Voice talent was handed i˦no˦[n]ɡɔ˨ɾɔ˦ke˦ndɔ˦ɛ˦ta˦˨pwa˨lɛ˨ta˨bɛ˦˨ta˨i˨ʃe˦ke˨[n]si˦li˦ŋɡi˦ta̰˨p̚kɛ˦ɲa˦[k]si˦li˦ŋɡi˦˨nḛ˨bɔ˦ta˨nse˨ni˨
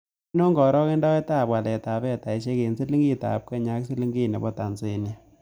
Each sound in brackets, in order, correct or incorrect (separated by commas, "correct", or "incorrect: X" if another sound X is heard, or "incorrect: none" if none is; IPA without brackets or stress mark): incorrect: ŋ, correct, correct